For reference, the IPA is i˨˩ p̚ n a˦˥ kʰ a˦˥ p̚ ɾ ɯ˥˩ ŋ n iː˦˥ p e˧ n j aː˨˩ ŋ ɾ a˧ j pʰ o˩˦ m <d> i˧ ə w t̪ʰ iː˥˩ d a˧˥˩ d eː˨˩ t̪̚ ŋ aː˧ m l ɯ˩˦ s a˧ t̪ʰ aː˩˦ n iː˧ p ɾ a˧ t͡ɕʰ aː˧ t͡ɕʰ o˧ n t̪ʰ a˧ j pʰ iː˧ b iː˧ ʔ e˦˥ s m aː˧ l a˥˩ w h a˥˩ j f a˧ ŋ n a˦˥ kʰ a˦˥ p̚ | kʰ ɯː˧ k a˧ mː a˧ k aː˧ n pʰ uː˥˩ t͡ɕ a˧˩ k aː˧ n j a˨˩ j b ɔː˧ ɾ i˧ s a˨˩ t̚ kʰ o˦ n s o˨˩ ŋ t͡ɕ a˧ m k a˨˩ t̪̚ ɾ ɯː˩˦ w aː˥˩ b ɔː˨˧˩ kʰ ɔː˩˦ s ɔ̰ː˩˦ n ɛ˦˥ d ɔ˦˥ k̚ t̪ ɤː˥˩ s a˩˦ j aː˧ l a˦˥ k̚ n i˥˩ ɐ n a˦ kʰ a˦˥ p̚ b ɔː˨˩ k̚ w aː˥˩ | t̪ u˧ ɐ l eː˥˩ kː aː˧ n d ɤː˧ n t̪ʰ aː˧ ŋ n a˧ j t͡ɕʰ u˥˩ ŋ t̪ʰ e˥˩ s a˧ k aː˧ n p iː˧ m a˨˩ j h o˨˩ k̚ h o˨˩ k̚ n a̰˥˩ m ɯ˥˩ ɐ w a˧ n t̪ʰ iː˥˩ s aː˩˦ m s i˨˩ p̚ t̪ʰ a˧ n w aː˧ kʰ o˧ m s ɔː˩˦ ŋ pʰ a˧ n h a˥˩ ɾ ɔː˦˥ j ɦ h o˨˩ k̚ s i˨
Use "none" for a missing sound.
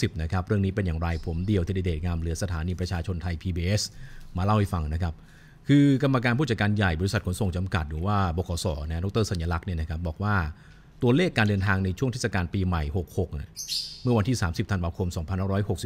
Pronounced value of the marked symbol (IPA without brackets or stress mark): d